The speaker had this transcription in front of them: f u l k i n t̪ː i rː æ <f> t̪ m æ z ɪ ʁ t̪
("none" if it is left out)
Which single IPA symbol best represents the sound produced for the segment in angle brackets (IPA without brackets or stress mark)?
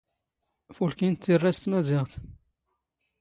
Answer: s